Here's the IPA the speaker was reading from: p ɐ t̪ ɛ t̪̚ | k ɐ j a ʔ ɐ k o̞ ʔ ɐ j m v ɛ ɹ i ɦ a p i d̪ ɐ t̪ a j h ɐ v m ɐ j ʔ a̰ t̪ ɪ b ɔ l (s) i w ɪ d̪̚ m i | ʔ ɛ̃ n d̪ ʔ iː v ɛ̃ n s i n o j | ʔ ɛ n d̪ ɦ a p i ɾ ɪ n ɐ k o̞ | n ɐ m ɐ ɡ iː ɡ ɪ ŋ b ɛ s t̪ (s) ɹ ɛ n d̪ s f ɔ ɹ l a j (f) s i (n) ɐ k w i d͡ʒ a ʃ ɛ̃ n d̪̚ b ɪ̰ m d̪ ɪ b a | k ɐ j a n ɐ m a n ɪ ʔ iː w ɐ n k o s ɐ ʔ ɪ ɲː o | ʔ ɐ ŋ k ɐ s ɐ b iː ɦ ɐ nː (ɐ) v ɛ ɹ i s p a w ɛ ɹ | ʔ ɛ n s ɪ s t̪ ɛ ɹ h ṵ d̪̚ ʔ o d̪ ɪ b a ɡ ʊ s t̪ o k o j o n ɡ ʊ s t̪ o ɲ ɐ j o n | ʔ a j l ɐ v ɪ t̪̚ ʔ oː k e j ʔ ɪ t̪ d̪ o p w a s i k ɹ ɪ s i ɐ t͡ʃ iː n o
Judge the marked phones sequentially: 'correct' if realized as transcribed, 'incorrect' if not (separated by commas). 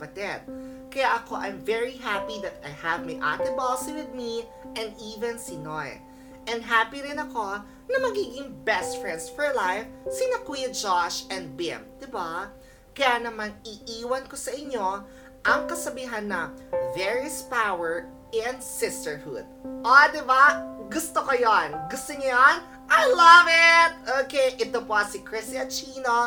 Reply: correct, incorrect, correct, correct, correct